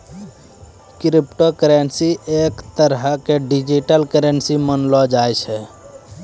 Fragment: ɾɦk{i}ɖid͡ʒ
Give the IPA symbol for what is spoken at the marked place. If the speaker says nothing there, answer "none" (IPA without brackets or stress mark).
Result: e